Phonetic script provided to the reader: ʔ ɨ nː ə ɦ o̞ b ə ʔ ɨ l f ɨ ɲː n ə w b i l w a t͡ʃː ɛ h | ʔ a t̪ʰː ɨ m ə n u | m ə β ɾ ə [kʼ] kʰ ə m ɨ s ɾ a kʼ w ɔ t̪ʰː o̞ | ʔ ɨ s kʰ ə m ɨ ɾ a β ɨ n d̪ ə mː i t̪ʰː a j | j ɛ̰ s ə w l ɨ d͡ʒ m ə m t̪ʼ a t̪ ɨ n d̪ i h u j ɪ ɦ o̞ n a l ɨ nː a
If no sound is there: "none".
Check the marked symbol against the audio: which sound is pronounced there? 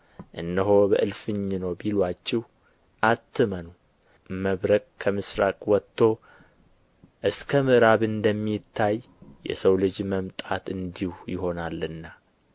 kʼ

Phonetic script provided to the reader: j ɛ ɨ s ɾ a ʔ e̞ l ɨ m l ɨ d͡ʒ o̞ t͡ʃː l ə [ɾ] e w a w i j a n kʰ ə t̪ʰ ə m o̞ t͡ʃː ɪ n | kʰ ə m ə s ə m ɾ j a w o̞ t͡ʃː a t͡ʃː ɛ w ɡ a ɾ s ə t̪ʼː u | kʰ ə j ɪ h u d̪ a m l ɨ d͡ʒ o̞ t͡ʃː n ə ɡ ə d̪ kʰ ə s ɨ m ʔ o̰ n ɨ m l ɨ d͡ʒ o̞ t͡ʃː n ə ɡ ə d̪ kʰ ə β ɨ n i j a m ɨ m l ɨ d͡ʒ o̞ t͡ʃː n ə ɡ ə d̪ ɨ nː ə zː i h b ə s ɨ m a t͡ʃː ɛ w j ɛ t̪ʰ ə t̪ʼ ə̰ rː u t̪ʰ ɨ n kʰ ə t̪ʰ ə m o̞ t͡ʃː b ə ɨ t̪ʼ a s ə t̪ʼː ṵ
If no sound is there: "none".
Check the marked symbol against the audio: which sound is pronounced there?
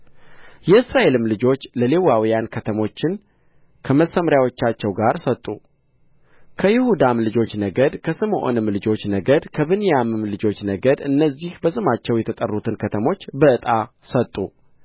l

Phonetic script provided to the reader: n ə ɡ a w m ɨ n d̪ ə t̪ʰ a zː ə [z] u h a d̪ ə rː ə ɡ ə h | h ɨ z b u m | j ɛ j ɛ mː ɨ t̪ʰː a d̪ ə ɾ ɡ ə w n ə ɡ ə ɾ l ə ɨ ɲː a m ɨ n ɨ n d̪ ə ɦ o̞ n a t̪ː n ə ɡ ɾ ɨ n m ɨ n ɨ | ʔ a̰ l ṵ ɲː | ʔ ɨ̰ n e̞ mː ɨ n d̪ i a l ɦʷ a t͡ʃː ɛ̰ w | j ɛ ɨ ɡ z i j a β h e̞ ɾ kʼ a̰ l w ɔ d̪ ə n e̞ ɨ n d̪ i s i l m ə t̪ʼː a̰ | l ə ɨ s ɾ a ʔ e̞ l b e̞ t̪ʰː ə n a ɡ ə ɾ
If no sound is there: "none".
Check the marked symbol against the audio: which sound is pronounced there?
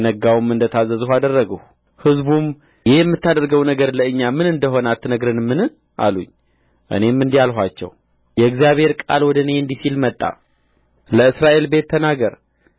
z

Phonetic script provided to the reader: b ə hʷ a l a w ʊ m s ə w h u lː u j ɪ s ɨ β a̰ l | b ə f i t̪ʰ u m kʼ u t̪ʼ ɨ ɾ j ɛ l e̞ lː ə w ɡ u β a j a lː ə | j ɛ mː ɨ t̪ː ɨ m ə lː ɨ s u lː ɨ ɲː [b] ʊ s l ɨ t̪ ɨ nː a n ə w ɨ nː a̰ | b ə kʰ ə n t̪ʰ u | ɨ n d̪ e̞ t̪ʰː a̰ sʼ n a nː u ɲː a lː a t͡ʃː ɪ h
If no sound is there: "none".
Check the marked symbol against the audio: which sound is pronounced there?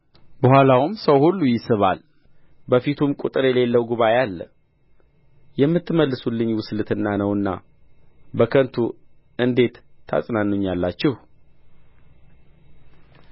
w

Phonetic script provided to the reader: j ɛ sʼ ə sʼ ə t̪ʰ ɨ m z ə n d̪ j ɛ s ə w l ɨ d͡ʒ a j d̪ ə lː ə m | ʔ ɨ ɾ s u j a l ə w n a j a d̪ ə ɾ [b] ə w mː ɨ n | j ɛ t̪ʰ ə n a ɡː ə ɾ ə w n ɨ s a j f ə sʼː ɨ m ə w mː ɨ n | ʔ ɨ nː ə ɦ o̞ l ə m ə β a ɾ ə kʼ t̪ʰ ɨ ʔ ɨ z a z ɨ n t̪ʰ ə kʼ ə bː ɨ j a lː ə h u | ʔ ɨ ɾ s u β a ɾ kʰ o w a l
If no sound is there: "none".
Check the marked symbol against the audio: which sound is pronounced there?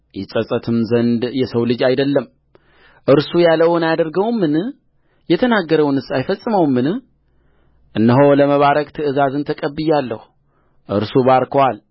ɡ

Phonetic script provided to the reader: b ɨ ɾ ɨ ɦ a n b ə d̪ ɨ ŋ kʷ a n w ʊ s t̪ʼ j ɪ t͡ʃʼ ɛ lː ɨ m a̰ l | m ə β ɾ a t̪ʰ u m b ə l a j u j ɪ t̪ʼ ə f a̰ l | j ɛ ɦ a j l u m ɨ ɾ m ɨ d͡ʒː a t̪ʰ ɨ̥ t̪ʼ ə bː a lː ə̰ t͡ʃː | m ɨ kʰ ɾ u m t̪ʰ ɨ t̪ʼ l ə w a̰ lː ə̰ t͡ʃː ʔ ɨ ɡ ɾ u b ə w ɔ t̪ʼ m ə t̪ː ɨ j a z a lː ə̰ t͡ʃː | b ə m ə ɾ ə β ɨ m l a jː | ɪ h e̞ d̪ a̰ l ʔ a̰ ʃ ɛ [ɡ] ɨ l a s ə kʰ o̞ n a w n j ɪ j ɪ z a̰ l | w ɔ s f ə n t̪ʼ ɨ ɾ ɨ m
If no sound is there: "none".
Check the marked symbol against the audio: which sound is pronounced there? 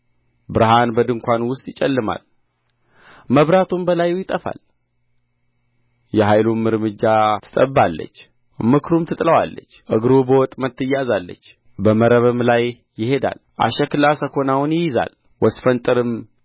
k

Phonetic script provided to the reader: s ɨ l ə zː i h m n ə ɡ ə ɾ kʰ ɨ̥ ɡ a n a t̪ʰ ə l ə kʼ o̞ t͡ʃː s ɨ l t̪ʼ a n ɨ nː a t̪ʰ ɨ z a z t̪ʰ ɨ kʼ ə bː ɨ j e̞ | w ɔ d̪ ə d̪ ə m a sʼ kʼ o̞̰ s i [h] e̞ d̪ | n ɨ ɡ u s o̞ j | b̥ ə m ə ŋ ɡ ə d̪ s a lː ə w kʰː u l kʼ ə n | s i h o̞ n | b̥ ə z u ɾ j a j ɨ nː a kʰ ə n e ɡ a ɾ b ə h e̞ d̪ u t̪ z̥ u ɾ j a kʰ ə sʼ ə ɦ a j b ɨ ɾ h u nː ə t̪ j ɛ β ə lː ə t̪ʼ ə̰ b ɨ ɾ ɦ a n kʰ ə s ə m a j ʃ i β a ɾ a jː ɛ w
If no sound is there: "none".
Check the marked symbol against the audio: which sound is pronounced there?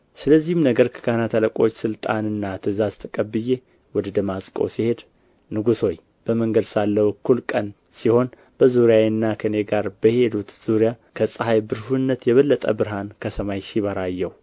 h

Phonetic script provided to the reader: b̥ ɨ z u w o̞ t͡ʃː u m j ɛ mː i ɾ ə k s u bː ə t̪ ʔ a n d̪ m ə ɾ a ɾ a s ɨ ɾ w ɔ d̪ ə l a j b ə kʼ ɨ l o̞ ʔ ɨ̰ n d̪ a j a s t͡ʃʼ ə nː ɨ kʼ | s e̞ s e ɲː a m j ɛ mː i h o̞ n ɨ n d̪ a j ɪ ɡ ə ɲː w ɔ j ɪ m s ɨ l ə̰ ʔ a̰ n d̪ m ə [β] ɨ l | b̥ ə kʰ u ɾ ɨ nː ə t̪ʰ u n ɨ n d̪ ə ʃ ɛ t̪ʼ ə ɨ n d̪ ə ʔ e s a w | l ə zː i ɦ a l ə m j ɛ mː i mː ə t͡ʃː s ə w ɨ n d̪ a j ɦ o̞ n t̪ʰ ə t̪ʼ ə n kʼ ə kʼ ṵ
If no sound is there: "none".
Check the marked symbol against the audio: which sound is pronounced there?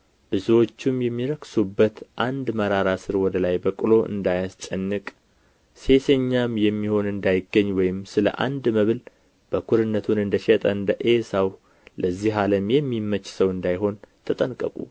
β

